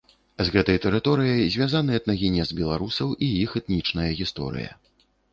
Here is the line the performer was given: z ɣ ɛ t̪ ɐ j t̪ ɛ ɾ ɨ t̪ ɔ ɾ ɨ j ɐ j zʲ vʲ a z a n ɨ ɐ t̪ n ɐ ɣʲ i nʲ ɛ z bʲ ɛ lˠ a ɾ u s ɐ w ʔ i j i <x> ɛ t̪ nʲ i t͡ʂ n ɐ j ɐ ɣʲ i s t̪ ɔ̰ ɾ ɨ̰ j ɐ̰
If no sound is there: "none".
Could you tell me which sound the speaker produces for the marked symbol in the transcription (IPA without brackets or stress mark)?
x